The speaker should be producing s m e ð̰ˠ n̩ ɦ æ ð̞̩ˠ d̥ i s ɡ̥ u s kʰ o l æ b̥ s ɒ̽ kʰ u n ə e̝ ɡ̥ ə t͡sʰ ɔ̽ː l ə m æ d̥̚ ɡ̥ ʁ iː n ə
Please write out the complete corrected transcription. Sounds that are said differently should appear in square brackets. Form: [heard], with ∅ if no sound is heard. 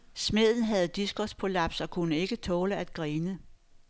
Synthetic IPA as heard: s m e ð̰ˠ n̩ ɦ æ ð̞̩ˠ d̥ i s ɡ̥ [ɒ] s [pʰ] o l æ b̥ s ɒ̽ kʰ u n ə e̝ ɡ̥ ə t͡sʰ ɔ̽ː l ə [∅] æ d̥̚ ɡ̥ ʁ iː n ə